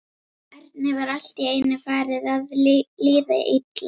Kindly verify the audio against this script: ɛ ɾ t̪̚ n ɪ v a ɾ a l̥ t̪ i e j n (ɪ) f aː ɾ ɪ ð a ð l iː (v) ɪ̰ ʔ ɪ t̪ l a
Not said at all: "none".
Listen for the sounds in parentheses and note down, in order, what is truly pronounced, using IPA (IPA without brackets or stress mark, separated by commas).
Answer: ɪ, ð